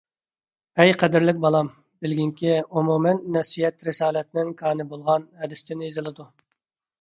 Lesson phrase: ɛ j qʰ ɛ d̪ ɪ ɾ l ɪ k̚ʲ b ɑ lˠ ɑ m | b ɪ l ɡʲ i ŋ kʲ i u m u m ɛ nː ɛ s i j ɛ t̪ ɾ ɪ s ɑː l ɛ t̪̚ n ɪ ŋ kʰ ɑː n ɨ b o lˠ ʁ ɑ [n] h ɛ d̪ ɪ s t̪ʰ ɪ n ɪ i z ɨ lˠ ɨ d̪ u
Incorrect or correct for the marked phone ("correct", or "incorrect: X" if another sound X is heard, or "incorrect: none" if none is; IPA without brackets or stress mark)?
correct